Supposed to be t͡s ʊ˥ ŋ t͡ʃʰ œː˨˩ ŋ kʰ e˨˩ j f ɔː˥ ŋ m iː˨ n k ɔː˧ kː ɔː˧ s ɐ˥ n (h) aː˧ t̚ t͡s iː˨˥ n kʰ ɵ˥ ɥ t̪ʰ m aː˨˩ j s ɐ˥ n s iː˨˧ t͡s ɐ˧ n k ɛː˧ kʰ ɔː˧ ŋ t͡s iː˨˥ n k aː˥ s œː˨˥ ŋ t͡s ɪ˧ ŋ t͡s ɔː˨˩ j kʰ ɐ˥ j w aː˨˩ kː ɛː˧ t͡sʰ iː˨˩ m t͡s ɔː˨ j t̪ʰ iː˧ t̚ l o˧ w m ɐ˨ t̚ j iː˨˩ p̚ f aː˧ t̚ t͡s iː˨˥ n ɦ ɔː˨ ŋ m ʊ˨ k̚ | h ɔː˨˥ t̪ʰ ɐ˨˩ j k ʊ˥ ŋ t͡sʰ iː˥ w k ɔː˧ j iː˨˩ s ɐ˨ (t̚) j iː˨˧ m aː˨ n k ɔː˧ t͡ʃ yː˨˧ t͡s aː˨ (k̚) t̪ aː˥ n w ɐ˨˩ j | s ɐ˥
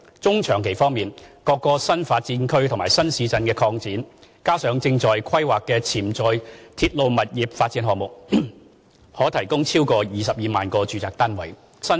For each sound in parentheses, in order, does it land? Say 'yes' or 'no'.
no, no, yes

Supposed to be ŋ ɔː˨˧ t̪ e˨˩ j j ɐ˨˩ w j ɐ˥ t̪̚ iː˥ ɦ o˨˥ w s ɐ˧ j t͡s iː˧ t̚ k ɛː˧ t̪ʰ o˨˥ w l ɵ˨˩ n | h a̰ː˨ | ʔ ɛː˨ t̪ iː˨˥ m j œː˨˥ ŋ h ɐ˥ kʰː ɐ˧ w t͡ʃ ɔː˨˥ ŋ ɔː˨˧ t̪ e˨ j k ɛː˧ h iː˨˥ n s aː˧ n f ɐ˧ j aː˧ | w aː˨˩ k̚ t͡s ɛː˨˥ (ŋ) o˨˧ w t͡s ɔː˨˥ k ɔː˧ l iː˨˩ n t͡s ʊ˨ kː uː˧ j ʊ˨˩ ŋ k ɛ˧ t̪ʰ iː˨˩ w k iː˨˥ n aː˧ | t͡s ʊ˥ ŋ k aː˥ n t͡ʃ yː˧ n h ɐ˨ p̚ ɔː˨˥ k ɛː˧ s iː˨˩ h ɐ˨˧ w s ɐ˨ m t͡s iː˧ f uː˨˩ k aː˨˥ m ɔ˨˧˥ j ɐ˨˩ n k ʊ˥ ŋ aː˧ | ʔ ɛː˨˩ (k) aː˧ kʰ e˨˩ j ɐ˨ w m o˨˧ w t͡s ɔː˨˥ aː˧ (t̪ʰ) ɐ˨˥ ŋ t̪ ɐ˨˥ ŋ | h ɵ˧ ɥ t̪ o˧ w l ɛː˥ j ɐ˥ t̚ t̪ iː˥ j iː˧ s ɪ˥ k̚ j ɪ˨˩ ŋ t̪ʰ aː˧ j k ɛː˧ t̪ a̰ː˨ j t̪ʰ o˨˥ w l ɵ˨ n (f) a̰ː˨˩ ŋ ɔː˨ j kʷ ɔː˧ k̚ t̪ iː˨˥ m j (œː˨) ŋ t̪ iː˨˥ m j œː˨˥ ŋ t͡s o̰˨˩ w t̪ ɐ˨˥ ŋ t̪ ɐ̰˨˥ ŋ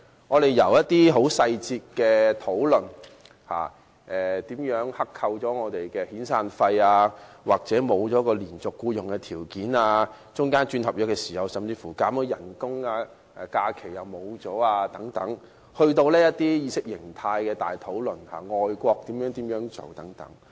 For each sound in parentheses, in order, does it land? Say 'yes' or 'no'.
no, yes, no, no, no

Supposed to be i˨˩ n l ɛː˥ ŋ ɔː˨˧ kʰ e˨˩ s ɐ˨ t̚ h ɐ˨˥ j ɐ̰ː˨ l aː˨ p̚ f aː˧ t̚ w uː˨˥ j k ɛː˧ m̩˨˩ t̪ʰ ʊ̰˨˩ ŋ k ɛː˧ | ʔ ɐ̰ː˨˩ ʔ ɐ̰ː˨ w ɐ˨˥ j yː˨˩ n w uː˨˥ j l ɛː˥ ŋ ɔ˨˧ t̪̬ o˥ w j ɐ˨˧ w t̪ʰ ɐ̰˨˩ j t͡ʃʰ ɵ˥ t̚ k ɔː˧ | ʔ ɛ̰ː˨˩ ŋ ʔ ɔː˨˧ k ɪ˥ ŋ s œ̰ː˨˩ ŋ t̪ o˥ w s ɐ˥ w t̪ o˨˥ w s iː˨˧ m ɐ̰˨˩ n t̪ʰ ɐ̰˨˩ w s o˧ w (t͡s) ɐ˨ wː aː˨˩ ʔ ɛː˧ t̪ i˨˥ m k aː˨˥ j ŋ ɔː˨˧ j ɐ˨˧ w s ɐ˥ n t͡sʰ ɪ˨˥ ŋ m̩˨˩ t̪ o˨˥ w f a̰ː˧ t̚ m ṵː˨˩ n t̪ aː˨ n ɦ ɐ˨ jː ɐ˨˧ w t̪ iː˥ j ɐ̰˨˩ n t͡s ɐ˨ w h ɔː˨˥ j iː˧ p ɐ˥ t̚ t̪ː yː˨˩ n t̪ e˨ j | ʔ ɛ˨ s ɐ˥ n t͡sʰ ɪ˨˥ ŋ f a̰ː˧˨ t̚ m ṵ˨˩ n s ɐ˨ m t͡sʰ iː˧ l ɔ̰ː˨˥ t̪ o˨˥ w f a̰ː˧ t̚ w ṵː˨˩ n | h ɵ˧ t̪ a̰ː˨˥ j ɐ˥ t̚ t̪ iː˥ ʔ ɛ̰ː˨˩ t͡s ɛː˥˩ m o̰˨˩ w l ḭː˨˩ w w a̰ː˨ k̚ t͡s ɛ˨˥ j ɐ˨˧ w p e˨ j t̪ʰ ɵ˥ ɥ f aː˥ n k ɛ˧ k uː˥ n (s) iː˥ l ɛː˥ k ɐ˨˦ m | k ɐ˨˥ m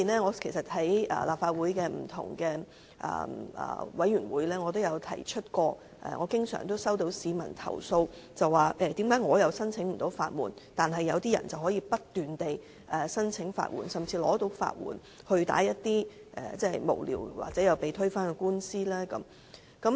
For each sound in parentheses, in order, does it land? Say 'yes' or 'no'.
yes, yes

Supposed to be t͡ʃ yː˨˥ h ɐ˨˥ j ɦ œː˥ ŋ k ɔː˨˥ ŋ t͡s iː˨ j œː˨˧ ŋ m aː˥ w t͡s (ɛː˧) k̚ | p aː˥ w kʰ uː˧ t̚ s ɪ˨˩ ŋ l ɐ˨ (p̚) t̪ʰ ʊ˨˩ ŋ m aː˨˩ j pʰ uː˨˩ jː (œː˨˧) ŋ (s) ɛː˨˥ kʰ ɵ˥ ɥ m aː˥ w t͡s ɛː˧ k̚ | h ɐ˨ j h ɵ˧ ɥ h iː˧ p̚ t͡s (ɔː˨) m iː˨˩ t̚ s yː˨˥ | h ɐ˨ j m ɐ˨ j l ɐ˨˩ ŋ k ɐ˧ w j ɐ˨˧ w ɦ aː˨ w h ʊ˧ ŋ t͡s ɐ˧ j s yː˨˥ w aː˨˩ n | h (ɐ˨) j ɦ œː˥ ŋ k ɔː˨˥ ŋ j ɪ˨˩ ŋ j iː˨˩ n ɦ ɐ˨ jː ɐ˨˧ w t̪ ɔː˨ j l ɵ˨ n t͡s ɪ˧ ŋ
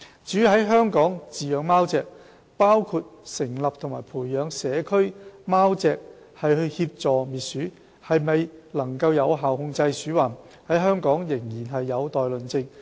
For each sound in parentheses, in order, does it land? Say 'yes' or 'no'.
yes, yes, yes, yes, yes, no

